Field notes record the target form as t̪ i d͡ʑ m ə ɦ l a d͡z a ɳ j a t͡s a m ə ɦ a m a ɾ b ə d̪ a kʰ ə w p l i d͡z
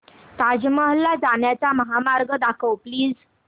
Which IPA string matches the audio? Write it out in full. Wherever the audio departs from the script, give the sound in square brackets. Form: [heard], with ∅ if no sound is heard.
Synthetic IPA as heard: t̪ [a] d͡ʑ m ə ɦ l a d͡z a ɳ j a t͡s a m ə ɦ a m a ɾ [ɡ] ə d̪ a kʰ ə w p l [iː] d͡z